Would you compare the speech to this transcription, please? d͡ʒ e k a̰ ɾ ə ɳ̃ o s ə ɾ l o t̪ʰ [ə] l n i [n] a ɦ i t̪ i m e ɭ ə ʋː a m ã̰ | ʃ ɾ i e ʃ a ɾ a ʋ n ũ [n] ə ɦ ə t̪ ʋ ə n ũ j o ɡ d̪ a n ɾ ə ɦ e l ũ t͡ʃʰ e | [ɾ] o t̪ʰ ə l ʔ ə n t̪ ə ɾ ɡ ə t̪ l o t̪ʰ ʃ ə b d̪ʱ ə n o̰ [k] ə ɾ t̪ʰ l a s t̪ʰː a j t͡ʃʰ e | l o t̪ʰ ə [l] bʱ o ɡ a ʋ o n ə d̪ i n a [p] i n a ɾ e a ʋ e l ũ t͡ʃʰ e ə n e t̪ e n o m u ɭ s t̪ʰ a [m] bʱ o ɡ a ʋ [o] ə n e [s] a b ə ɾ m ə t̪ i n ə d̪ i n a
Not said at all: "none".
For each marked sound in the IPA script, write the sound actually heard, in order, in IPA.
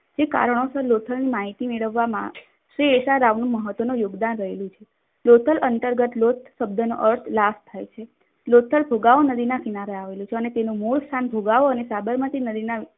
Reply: ə, m, m, l, ʔ, l, k, n, o, s

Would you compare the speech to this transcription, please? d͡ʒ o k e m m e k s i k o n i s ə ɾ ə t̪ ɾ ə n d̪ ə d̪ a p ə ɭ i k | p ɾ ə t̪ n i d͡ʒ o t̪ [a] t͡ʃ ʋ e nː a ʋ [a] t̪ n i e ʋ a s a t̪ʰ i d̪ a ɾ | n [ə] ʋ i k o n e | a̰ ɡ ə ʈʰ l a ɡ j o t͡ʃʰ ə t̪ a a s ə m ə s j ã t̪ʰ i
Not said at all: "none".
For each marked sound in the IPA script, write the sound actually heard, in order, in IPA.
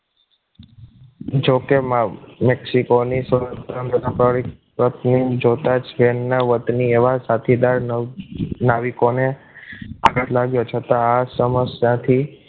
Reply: a, ə, a

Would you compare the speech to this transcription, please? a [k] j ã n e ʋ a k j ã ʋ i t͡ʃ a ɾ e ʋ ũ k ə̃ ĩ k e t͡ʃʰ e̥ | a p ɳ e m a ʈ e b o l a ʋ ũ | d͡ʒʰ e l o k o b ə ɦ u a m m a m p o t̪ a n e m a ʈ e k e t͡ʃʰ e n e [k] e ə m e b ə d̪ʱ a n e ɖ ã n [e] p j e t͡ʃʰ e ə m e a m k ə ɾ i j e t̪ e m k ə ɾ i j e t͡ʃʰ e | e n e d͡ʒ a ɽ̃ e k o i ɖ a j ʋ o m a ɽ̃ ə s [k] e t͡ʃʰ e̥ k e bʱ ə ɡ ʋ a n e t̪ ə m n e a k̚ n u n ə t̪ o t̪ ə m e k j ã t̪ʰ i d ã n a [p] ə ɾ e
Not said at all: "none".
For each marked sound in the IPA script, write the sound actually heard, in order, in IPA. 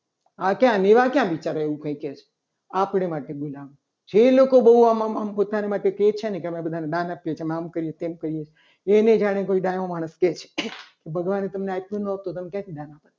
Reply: k, k, a, k, p

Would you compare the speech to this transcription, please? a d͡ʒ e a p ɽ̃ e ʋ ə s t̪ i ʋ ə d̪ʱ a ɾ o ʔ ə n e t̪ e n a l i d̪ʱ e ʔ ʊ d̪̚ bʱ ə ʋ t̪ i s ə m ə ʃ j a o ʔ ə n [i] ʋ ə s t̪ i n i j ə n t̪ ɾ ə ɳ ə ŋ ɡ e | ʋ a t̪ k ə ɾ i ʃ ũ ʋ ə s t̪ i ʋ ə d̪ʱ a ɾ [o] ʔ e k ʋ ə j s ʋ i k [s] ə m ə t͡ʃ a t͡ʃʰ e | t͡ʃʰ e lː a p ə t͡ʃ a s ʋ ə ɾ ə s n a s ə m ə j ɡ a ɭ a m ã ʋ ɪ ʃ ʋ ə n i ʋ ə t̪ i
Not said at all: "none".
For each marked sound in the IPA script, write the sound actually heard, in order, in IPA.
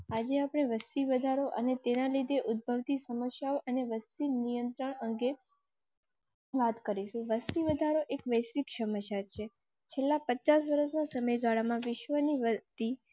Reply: e, o, ʃ

